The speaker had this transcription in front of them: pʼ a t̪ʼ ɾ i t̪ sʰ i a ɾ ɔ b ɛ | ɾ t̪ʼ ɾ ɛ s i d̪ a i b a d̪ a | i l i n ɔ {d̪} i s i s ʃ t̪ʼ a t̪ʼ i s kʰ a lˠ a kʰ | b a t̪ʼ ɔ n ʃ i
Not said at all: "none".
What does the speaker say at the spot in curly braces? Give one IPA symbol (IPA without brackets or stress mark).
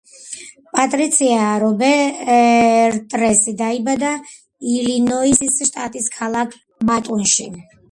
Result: none